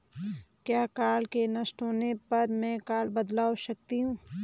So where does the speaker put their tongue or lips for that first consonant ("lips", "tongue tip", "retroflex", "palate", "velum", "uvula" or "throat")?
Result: velum